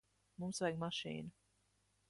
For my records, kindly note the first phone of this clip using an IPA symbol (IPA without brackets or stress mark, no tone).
m